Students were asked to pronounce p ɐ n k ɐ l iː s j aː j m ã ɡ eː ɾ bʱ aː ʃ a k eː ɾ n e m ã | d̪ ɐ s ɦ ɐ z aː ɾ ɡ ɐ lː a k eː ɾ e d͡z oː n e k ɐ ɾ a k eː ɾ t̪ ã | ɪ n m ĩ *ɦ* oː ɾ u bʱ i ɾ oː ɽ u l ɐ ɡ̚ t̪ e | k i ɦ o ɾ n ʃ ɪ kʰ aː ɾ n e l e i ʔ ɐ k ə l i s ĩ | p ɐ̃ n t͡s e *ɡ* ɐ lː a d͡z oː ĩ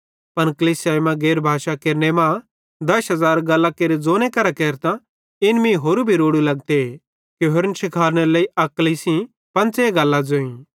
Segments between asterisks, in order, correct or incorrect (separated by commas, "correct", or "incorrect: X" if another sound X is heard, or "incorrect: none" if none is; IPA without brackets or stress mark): correct, correct